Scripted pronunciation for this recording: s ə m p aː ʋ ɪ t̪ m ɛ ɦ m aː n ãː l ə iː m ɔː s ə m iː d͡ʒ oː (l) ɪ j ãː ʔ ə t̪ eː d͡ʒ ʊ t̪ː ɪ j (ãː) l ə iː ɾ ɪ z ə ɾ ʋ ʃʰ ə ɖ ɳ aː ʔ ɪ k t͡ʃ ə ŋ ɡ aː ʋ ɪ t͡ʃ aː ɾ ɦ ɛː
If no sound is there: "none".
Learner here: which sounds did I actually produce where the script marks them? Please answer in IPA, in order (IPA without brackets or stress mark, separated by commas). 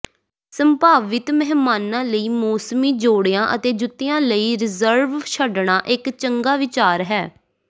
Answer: ɽ, ãː